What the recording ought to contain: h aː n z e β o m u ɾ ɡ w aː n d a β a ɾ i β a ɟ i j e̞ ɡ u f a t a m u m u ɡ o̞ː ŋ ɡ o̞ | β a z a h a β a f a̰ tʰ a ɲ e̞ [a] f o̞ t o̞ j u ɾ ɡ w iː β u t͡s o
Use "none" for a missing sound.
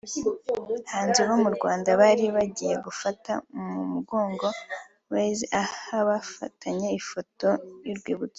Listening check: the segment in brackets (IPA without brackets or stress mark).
i